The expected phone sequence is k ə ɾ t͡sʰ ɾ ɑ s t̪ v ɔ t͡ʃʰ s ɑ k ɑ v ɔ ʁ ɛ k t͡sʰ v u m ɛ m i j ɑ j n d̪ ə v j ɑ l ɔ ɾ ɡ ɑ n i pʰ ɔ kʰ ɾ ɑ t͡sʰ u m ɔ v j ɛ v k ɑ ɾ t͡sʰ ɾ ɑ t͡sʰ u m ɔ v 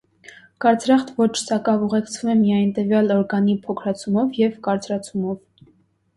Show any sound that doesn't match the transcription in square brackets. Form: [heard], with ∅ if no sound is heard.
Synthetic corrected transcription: k [ɑ] ɾ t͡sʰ ɾ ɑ [χ] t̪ v ɔ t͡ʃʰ s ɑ k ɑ v [u] ʁ ɛ k t͡sʰ v u m ɛ m i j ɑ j n [t̪] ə v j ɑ l ɔ ɾ ɡ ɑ n i pʰ ɔ kʰ ɾ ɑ t͡sʰ u m ɔ v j ɛ v k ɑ ɾ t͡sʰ ɾ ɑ t͡sʰ u m ɔ v